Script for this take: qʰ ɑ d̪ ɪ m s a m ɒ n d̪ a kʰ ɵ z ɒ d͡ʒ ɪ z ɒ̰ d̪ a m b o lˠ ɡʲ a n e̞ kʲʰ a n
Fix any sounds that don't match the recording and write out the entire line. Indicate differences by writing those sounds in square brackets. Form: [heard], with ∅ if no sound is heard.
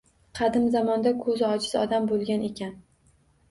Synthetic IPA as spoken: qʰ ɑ d̪ ɪ m [z] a m ɒ n d̪ a kʰ ɵ z ɒ d͡ʒ ɪ z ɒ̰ d̪ a m b o lˠ ɡʲ a n e̞ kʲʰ a n